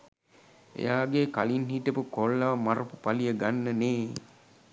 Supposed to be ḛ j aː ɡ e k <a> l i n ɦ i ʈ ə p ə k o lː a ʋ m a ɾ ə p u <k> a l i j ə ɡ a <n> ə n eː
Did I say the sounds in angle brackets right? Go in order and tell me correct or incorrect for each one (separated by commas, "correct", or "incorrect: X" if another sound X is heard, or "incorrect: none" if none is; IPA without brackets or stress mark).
correct, incorrect: p, incorrect: nː